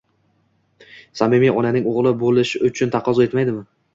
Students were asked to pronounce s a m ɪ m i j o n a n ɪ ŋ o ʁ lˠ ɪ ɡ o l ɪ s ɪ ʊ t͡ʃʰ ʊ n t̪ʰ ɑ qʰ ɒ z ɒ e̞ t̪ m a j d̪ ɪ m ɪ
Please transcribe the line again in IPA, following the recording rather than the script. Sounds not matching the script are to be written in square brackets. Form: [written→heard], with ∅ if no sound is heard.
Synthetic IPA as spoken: s a m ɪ m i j [o→ɒ] n a n ɪ ŋ o ʁ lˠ ɪ [ɡ→b] o l ɪ [s→ʃ] ɪ ʊ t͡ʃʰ ʊ n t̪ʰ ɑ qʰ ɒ z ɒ e̞ t̪ m a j d̪ ɪ m ɪ